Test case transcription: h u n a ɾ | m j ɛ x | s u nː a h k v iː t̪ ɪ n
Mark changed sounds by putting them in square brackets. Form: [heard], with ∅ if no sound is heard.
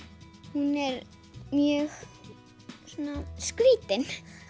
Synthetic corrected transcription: h u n [ɛ] ɾ | m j [œ] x | s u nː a [s] k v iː t̪ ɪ n